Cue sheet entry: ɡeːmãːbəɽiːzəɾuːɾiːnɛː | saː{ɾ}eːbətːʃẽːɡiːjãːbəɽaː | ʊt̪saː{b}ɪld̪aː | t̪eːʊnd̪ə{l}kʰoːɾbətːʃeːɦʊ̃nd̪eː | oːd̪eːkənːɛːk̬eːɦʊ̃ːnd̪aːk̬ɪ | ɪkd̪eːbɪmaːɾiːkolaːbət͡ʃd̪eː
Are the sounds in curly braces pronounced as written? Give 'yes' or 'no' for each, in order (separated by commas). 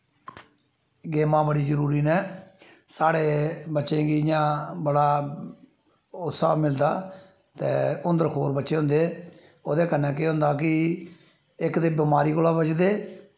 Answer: no, no, no